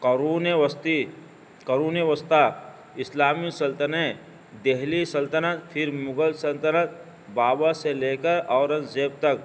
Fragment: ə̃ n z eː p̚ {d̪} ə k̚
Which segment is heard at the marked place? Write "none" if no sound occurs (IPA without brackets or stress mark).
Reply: t̪